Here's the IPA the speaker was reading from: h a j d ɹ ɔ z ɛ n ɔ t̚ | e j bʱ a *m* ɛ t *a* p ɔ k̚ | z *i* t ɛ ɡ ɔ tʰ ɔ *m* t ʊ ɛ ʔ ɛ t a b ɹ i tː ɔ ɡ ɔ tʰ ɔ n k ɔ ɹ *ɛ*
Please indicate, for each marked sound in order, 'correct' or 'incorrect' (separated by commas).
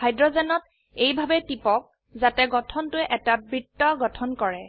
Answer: incorrect, incorrect, incorrect, incorrect, correct